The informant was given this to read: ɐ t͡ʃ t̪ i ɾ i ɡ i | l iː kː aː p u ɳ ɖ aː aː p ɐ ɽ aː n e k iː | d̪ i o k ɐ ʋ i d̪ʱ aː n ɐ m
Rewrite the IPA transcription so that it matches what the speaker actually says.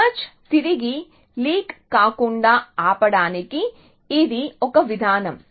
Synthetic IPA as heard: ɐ t͡ʃ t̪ i ɾ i ɡ i | l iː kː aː k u ɳ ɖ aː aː p ɐ ɽ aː n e k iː | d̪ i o k ɐ ʋ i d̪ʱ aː n ɐ m